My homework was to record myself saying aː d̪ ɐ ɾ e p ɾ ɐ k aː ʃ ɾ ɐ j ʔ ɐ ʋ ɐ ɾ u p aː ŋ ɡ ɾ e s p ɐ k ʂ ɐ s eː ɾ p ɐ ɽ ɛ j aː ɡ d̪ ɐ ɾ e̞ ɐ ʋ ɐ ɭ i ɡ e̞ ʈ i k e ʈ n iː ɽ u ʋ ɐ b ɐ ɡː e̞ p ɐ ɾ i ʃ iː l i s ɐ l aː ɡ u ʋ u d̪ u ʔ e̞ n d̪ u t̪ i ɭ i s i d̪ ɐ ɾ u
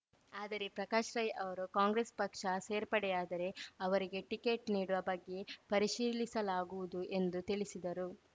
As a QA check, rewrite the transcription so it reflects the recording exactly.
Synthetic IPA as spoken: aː d̪ ɐ ɾ e p ɾ ɐ k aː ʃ ɾ ɐ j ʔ ɐ ʋ ɐ ɾ u k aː ŋ ɡ ɾ e s p ɐ k ʂ ɐ s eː ɾ p ɐ ɽ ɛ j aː d̪ ɐ ɾ e̞ ɐ ʋ ɐ ɾ i ɡ e̞ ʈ i k e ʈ n iː ɽ u ʋ ɐ b ɐ ɡː e̞ p ɐ ɾ i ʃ iː l i s ɐ l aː ɡ u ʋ u d̪ u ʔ e̞ n d̪ u t̪ i ɭ i s i d̪ ɐ ɾ u